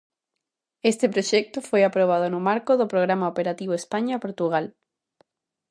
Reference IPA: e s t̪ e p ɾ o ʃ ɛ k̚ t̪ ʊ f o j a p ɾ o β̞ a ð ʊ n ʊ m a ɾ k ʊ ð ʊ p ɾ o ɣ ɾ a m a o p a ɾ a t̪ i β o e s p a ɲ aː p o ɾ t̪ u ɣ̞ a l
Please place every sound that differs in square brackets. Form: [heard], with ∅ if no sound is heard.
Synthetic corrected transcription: e s t̪ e p ɾ o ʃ ɛ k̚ t̪ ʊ f o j a p ɾ o β̞ a ð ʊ n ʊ m a ɾ k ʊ ð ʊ p ɾ o ɣ ɾ a m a o p [e] ɾ a t̪ i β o e s p a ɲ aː p o ɾ t̪ u ɣ̞ a l